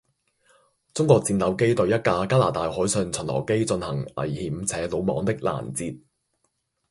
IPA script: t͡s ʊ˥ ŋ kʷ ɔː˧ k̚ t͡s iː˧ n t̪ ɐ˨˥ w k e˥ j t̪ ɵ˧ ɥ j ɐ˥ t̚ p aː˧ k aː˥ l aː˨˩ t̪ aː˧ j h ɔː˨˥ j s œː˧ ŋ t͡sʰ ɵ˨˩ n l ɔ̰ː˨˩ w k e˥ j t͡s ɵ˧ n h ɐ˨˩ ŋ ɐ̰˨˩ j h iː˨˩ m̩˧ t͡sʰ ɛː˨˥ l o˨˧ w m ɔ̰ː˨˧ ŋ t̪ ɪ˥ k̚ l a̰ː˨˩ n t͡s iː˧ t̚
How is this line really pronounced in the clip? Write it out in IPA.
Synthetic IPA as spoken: t͡s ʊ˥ ŋ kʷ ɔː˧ k̚ t͡s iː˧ n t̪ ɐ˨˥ w k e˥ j t̪ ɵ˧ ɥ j ɐ˥ t̚ k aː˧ k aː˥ l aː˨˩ t̪ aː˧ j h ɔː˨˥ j s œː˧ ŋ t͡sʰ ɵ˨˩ n l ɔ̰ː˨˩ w k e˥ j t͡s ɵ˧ n h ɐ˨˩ ŋ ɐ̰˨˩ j h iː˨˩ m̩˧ t͡sʰ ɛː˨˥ l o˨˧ w m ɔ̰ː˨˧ ŋ t̪ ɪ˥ k̚ l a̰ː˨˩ n t͡s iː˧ t̚